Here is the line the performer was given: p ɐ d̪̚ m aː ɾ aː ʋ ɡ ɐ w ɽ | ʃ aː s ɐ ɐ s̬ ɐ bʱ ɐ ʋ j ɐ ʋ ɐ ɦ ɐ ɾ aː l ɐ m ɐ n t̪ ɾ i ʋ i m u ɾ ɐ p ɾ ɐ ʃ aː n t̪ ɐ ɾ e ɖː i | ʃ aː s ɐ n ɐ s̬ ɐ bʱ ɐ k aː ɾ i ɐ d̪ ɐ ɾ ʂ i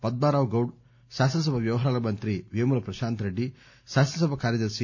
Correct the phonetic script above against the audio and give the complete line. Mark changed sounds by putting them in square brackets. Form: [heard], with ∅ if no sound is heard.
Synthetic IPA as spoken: p ɐ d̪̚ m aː ɾ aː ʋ ɡ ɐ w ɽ | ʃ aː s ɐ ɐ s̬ ɐ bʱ ɐ ʋ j ɐ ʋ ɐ ɦ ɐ ɾ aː l ɐ m ɐ n t̪ ɾ i ʋ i m u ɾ ɐ p ɾ ɐ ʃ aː n t̪ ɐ ɾ e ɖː i | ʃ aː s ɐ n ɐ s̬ ɐ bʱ ɐ k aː ɾ [j] ɐ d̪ ɐ ɾ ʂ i